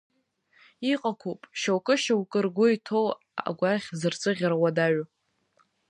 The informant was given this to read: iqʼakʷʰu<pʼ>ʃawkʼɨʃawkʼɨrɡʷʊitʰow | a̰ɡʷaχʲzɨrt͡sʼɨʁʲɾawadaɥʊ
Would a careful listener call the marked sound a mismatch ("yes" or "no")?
no